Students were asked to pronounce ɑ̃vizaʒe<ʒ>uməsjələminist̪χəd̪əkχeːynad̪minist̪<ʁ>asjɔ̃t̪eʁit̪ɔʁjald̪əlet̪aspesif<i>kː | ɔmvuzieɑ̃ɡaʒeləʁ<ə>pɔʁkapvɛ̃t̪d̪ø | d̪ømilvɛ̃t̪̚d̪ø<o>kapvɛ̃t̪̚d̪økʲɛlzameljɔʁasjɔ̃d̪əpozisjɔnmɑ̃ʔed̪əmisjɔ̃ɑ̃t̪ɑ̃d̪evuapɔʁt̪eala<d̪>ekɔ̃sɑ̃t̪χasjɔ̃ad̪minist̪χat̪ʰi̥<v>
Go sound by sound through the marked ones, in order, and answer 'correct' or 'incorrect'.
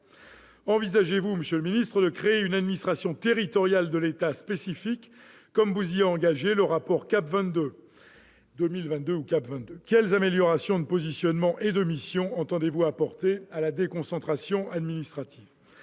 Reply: incorrect: v, incorrect: χ, correct, incorrect: a, incorrect: u, correct, correct

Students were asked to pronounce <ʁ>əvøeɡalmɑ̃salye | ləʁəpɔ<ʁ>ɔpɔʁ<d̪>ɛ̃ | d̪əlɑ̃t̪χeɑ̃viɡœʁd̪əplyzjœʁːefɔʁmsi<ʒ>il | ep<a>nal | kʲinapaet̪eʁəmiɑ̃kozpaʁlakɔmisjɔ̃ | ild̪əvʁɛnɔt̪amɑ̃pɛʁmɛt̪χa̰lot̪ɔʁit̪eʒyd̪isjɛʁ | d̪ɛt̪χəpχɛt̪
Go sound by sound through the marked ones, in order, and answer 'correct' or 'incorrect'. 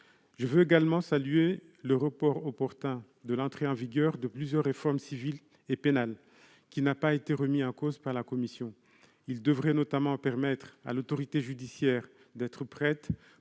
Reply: incorrect: ʒ, correct, incorrect: t̪, incorrect: v, incorrect: e

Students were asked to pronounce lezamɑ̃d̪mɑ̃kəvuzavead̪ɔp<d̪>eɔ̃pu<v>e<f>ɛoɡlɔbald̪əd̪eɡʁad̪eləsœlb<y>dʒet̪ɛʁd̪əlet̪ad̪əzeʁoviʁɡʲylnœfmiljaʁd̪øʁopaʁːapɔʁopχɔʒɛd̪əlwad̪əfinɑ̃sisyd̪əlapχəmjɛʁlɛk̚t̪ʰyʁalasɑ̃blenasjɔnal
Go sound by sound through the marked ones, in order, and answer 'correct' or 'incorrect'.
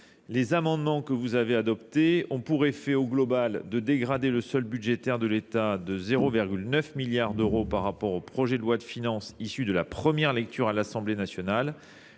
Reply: incorrect: t̪, incorrect: ʁ, correct, correct

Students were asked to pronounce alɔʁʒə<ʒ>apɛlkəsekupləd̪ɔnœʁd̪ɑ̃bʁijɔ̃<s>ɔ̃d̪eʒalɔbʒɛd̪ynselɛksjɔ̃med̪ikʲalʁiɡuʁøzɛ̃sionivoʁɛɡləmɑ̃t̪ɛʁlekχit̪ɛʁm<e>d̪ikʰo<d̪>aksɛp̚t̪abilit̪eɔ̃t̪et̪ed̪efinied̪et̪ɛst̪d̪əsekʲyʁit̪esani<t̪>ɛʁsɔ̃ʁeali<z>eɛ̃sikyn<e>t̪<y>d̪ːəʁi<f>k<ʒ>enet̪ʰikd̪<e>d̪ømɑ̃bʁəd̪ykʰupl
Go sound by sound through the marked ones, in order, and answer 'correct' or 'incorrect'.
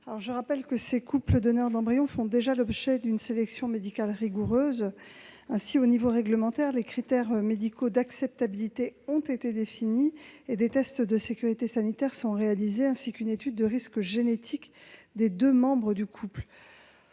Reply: incorrect: ʁ, incorrect: f, correct, correct, correct, correct, correct, correct, incorrect: s, correct, correct

